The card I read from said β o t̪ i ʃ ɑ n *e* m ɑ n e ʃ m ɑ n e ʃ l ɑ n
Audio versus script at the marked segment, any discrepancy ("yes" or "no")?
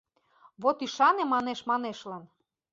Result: no